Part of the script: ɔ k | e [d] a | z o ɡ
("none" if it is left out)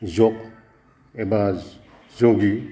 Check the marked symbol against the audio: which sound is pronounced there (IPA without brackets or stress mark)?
b